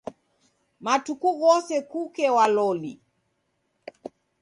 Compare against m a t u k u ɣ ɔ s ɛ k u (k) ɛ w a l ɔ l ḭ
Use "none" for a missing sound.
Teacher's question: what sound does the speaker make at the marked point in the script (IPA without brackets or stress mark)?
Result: k